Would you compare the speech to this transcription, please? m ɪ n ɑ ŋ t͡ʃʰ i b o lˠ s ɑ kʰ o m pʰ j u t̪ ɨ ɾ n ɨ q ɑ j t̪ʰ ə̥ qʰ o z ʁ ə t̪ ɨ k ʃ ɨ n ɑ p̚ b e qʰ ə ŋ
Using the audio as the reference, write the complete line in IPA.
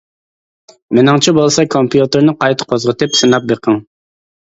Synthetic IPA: m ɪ n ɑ ŋ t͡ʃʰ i b o lˠ s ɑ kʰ o m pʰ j u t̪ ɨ ɾ n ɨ q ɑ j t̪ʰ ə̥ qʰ o z ʁ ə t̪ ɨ p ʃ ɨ n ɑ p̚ b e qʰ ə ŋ

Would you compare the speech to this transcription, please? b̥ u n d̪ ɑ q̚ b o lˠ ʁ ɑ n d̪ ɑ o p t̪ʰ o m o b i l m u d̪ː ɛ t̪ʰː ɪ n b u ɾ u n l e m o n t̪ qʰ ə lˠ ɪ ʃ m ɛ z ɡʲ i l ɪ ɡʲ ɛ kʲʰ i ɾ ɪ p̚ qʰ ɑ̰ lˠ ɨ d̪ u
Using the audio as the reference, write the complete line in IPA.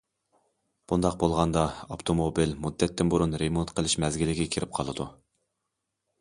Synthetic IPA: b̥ u n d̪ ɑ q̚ b o lˠ ʁ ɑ n d̪ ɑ o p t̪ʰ o m o b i l m u d̪ː ɛ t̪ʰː ɪ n b u ɾ u n ɾ e m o n t̪ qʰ ə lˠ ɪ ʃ m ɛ z ɡʲ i l ɪ ɡʲ ɛ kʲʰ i ɾ ɪ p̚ qʰ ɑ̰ lˠ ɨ d̪ u

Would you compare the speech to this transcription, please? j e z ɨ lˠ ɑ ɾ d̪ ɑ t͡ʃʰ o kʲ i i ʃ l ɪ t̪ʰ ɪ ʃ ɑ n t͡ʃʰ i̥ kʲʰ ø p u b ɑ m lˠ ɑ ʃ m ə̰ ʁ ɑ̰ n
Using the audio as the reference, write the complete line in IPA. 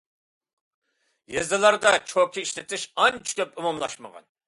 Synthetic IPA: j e z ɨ lˠ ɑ ɾ d̪ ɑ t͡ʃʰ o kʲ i i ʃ l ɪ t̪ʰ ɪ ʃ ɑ n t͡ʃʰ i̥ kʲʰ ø p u m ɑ m lˠ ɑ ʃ m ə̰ ʁ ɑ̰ n

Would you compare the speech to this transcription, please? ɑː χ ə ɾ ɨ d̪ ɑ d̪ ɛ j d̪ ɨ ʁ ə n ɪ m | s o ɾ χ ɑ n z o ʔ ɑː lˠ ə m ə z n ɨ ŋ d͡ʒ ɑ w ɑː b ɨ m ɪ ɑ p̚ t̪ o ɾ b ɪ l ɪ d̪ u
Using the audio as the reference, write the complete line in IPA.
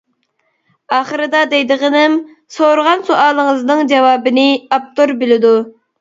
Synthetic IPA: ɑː χ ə ɾ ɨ d̪ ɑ d̪ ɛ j d̪ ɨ ʁ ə n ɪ m | s o ɾ ʁ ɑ n s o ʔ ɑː lˠ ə ŋ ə z n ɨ ŋ d͡ʒ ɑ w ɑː b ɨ n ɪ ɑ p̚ t̪ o ɾ b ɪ l ɪ d̪ u

